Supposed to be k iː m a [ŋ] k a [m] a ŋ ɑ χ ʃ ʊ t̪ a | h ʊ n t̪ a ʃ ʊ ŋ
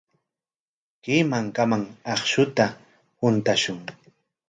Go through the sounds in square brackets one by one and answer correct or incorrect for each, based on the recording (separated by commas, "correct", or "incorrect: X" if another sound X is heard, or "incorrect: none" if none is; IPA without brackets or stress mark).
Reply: correct, correct